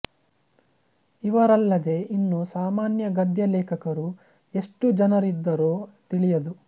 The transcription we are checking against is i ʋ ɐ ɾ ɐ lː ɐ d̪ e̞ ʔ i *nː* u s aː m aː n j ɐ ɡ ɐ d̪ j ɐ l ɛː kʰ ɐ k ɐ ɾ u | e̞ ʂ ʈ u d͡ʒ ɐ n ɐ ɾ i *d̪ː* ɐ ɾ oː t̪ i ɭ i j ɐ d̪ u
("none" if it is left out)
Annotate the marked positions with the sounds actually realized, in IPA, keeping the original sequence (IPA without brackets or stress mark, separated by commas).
nː, d̪ː